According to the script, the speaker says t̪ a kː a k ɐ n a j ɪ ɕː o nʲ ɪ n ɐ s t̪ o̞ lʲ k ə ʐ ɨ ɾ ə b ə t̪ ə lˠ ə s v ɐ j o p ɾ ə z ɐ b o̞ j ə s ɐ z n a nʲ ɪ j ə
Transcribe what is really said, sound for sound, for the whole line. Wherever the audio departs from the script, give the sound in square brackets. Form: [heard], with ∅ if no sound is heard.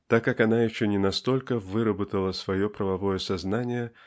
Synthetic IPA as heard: t̪ a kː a k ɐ n a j ɪ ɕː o nʲ ɪ n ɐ s t̪ o̞ lʲ k ə [v] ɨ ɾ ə b ə t̪ ə lˠ ə s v ɐ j o p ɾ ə [v] ɐ [v] o̞ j ə s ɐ z n a nʲ ɪ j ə